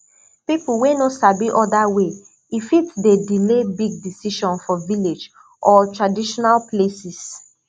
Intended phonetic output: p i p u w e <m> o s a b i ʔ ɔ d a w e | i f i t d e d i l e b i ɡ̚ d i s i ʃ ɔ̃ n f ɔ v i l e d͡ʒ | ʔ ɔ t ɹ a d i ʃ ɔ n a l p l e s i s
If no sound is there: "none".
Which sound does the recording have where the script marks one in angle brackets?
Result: n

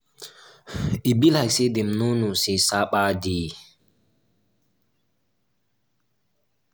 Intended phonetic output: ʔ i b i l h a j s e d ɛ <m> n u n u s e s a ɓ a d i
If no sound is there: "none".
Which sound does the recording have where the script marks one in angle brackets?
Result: m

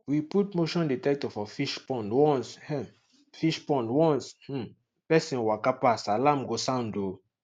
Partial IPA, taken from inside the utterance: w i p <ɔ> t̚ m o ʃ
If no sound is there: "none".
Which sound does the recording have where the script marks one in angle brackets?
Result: u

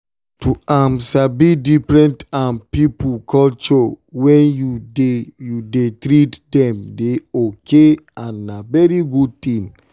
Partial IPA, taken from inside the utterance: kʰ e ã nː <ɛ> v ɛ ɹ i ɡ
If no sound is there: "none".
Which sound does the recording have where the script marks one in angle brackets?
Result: a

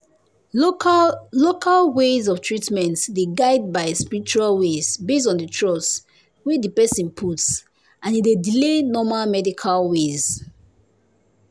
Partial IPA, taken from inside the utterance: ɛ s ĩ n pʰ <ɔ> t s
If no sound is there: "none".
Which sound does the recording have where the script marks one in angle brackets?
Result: u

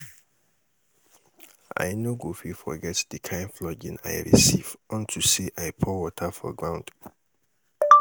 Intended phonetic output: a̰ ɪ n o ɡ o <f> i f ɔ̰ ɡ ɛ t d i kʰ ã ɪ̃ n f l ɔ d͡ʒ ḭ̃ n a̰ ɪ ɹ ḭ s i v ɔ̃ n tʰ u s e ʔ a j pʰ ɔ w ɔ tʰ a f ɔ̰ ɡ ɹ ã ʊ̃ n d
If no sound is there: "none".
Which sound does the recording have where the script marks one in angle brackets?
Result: f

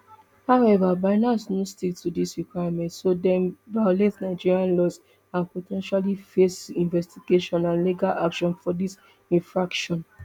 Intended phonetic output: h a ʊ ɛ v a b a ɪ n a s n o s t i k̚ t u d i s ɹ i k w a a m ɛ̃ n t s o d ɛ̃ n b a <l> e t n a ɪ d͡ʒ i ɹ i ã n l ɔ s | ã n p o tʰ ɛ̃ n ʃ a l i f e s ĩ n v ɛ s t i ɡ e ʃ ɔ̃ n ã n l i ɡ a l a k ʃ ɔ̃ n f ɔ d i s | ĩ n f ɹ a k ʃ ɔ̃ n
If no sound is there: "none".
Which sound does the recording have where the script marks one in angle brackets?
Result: l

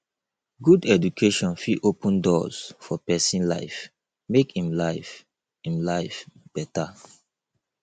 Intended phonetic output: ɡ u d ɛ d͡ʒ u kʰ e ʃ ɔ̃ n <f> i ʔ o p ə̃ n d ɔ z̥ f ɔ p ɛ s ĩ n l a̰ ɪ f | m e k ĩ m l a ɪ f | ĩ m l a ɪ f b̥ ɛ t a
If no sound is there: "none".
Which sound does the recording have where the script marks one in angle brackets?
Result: f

